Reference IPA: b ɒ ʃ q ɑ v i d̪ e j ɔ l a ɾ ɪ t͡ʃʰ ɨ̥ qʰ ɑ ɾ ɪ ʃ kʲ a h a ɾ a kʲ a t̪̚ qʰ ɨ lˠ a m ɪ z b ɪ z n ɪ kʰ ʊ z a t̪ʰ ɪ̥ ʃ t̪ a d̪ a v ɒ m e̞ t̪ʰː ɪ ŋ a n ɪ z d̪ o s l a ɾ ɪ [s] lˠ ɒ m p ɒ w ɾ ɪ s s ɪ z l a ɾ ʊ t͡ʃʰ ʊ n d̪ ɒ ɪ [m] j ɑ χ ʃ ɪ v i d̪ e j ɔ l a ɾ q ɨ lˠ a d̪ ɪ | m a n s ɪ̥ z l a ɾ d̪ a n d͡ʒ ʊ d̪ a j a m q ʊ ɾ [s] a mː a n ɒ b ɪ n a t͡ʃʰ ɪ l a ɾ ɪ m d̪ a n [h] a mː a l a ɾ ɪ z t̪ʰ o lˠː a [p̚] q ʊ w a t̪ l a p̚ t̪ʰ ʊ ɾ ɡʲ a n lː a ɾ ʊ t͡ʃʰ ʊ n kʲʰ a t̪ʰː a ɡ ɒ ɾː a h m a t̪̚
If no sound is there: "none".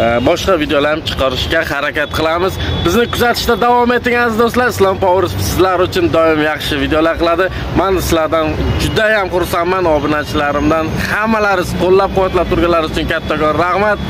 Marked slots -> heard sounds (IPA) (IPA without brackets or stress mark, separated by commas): s, m, s, h, p̚